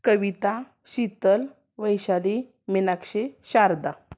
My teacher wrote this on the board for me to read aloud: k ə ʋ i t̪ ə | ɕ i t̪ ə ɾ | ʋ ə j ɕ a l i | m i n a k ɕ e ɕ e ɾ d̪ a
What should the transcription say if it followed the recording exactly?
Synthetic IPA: k ə ʋ i t̪ a | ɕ i t̪ ə l | ʋ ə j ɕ a l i | m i n a k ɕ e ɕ a ɾ d̪ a